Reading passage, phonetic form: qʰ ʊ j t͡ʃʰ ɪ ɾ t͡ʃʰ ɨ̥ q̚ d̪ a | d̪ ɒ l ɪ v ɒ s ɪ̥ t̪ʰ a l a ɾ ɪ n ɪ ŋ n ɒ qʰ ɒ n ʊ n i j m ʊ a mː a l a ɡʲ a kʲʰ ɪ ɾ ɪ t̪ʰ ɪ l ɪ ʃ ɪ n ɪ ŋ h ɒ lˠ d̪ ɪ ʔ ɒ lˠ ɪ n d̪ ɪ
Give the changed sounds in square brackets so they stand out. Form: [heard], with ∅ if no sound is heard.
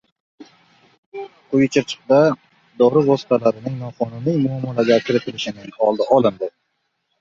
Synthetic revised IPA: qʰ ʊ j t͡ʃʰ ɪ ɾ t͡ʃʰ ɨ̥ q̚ d̪ a | d̪ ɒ [ɾ] ɪ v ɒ s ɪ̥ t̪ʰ a l a ɾ ɪ n ɪ ŋ n ɒ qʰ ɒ n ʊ n i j m ʊ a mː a l a ɡʲ a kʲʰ ɪ ɾ ɪ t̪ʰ ɪ l ɪ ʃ ɪ n ɪ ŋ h ɒ lˠ d̪ ɪ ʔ ɒ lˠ ɪ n d̪ ɪ